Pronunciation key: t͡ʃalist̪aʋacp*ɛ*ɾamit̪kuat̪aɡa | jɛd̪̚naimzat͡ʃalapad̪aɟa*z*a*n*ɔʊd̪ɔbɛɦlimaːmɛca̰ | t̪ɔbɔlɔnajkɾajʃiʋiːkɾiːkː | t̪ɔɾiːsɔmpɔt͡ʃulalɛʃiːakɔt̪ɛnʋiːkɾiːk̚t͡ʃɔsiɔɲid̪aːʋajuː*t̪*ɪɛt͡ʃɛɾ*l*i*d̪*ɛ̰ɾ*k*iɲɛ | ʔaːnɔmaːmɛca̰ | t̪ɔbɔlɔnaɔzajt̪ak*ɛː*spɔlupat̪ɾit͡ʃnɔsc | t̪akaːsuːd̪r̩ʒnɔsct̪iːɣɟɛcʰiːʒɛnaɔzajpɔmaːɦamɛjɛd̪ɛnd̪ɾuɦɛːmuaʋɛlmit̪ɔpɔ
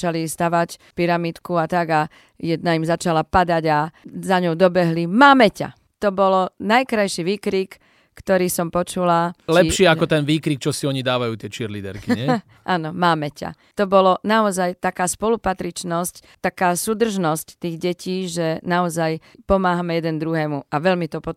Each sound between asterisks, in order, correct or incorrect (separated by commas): incorrect, correct, incorrect, correct, correct, correct, correct, incorrect